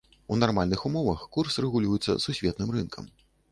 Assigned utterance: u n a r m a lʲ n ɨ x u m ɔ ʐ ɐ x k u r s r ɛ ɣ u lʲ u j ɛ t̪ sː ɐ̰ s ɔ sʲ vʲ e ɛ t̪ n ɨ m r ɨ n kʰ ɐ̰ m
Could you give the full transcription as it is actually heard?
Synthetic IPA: u n a r m a lʲ n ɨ x u m ɔ v ɐ x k u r s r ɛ ɣ u lʲ u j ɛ t̪ sː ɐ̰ s u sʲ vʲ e ɛ t̪ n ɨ m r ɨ n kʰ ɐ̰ m